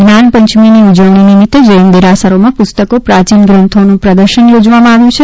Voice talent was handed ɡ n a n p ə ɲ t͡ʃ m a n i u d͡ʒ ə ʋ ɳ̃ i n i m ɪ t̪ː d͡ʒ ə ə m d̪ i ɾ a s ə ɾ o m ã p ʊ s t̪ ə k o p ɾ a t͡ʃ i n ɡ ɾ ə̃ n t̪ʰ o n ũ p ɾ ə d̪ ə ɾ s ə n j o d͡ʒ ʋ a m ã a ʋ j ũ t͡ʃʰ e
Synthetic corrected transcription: ɡ n a n p ə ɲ t͡ʃ m i n i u d͡ʒ ə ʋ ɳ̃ i n i m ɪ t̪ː d͡ʒ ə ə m d̪ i ɾ a s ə ɾ o m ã p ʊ s t̪ ə k o p ɾ a t͡ʃ i n ɡ ɾ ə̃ n t̪ʰ o n ũ p ɾ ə d̪ ə ɾ ʃ ə n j o d͡ʒ ʋ a m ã a ʋ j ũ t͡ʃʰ e